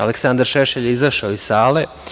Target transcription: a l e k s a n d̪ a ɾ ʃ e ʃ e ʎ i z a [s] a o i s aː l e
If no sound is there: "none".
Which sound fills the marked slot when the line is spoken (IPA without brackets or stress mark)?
ʃ